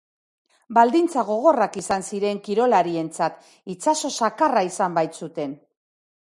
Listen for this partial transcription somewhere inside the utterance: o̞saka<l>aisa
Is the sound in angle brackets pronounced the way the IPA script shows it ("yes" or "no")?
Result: no